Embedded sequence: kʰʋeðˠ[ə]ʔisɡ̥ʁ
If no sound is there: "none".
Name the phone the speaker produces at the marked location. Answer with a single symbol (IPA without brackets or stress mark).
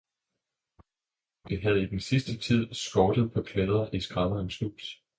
ɐ